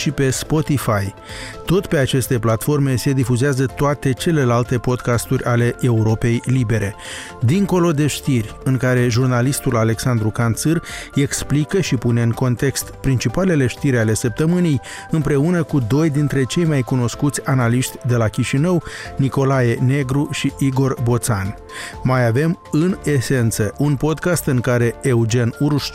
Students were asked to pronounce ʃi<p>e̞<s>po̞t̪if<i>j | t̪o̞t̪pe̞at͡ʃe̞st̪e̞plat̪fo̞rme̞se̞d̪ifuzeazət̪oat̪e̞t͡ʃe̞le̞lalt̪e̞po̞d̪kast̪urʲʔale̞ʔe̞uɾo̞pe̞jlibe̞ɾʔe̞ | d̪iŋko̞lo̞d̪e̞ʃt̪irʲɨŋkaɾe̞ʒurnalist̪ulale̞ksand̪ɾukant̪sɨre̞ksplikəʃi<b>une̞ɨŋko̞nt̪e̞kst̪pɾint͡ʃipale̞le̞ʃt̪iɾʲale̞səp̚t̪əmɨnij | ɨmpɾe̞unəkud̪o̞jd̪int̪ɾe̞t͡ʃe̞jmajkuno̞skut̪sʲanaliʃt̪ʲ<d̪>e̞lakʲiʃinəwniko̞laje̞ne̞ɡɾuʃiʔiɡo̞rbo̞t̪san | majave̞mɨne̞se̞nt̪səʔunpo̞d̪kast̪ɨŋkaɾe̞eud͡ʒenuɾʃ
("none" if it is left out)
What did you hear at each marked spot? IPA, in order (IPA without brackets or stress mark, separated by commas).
p, s, a, p, d̪